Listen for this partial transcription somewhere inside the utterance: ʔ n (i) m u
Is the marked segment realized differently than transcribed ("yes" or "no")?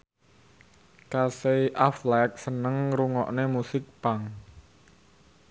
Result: yes